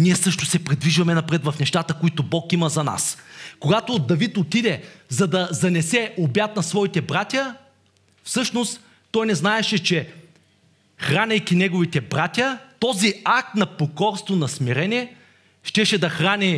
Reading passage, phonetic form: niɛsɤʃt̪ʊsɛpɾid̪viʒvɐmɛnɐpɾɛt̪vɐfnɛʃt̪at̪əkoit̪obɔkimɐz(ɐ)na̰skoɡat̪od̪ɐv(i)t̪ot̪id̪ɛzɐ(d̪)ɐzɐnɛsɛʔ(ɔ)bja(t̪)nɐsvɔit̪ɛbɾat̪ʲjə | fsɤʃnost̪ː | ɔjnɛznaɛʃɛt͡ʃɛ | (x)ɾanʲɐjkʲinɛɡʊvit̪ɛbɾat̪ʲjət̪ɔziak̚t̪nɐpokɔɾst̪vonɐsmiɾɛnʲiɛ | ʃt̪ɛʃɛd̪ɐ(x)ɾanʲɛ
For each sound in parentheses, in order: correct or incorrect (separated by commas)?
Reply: correct, correct, correct, incorrect, correct, correct, correct